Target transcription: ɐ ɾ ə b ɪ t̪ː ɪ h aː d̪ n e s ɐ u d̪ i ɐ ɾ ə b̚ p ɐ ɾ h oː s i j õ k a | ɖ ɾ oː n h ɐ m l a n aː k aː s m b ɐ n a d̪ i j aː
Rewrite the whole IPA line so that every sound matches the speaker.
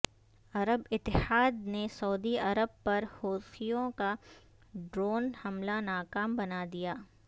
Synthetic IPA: ɐ ɾ ə b ɪ t̪ː ɪ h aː d̪ n e s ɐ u d̪ i ɐ ɾ ə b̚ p ɐ ɾ h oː s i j õ k a | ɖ ɾ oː n h ɐ m l a n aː k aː m b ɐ n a d̪ i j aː